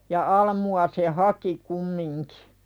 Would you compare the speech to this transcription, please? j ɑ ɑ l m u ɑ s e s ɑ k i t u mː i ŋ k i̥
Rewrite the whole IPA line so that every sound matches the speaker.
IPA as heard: j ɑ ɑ l m u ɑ s e h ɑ k i k u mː i ŋ k i̥